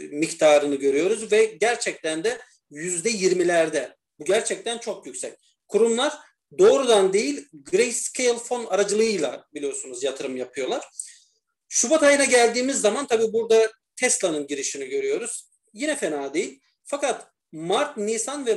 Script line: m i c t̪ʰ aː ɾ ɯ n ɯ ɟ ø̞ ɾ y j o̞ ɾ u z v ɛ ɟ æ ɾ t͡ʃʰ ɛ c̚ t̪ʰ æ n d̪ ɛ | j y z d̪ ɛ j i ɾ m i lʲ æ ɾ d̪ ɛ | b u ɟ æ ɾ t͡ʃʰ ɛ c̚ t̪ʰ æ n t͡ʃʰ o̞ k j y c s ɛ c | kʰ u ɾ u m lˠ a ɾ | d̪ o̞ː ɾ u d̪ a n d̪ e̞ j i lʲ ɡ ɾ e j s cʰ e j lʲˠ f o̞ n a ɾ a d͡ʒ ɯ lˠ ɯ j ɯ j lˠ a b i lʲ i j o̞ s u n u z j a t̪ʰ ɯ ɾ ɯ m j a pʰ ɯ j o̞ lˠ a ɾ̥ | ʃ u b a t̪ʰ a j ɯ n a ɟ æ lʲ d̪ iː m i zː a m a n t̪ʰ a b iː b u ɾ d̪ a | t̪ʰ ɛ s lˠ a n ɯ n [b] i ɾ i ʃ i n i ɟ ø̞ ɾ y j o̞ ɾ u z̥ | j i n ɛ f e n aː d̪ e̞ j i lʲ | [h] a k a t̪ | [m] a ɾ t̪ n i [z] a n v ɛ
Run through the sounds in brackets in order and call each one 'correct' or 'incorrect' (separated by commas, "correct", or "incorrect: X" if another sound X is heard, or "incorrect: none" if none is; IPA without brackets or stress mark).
incorrect: ɟ, incorrect: f, correct, incorrect: s